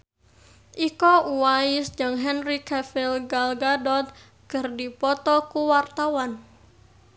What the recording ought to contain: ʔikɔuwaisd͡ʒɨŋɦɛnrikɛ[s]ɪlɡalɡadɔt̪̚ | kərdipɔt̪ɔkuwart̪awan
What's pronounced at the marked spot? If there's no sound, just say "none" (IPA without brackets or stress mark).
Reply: f